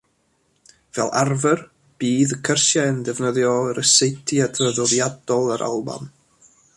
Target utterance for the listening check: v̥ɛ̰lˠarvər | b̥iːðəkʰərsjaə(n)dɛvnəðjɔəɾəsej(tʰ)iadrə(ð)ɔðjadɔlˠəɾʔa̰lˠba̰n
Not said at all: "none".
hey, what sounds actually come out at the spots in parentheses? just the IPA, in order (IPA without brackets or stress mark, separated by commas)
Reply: n, tʰ, ð